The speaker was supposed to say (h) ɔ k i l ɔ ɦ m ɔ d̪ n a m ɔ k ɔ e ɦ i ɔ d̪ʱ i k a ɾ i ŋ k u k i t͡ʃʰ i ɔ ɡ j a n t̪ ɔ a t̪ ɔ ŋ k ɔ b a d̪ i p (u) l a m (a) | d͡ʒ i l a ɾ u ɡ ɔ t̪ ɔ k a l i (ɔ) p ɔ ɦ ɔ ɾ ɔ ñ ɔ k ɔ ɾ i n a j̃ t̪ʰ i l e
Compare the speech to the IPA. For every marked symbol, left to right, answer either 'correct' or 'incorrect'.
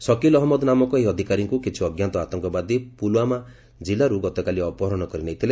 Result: incorrect, correct, correct, correct

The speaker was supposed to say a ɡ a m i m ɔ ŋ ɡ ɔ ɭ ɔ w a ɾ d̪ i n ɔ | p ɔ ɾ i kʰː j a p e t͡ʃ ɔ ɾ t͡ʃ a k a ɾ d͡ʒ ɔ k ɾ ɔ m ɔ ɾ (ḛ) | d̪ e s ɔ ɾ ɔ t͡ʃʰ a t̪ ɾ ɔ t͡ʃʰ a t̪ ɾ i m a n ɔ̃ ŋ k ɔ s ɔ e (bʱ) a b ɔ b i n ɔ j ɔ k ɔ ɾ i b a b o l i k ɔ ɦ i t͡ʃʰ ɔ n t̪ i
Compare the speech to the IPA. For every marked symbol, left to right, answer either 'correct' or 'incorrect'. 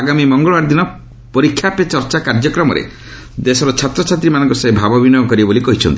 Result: correct, correct

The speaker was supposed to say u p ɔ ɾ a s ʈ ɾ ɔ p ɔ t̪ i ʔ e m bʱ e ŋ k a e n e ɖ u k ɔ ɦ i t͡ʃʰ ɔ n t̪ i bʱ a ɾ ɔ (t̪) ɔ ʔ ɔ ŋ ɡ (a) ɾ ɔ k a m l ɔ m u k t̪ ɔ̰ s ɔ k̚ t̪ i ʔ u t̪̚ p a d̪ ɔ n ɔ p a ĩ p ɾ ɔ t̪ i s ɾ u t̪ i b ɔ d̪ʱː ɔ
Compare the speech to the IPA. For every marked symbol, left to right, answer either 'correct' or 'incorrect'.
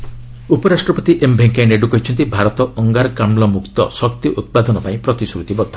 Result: correct, correct

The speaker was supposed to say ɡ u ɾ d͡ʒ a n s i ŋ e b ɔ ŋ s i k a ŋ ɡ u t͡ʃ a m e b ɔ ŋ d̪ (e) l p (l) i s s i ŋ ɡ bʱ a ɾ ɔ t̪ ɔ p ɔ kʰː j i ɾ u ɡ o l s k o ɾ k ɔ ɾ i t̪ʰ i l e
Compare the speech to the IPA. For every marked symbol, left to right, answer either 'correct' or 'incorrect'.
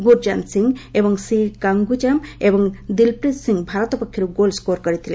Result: incorrect, incorrect

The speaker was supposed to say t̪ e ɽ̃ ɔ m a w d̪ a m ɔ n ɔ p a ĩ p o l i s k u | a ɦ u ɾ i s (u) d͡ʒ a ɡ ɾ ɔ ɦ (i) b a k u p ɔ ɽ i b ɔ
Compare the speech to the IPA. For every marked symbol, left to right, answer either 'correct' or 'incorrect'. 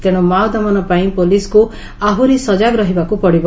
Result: incorrect, correct

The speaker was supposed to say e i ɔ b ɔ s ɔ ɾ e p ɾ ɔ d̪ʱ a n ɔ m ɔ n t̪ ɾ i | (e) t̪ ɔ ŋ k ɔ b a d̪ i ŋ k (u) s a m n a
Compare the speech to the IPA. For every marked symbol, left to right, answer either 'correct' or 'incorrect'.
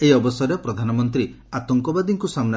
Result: incorrect, correct

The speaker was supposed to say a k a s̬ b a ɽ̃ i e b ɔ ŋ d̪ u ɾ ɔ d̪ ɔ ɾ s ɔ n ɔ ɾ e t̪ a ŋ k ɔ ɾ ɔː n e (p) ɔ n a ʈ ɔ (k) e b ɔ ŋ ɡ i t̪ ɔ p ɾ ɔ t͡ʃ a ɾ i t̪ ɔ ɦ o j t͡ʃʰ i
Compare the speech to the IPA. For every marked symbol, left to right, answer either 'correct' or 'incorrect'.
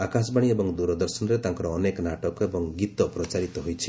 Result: incorrect, correct

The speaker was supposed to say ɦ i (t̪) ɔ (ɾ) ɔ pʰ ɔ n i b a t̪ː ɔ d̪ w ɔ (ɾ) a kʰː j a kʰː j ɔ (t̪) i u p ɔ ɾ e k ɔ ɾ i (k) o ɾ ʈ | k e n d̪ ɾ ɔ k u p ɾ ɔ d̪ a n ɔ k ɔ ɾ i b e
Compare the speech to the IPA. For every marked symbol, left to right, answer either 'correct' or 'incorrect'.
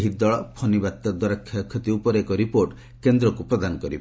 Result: incorrect, incorrect, correct, correct, incorrect

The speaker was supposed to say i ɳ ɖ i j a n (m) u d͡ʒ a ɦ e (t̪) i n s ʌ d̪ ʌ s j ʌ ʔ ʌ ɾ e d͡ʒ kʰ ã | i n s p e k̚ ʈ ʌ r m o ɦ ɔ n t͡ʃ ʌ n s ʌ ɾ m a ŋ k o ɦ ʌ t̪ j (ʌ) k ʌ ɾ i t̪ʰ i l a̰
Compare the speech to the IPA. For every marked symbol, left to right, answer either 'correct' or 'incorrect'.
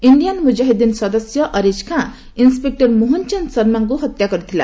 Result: correct, incorrect, incorrect

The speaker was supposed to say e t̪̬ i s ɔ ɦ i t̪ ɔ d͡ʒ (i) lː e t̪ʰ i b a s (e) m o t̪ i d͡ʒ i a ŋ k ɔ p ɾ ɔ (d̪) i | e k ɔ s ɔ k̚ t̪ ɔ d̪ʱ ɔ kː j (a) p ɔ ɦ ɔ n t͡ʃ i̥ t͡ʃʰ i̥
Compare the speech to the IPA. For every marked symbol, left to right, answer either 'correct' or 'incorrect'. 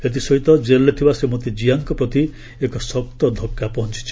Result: incorrect, correct, incorrect, correct

